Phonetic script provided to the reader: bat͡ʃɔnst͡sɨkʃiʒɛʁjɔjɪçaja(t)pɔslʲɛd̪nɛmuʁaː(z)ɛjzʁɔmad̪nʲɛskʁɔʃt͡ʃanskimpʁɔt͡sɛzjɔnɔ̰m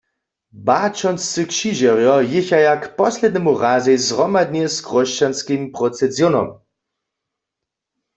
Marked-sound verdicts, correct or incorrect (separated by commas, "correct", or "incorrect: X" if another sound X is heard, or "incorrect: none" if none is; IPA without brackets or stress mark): incorrect: k, correct